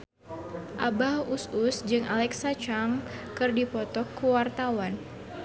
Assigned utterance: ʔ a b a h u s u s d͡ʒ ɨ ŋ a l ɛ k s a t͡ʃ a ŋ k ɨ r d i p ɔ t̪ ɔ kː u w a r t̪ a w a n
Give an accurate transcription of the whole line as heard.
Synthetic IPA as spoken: ʔ a b a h u s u s d͡ʒ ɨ ŋ a l ɛ k s a t͡ʃ a ŋ k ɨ r d i p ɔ t̪ ɔ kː u w a r t̪ a w a n